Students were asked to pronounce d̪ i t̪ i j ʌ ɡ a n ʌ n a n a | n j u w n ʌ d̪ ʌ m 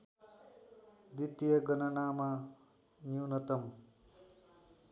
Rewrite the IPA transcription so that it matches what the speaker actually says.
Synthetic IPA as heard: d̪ i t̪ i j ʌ ɡ ʌ n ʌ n a m a | n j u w n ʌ t̪ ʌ m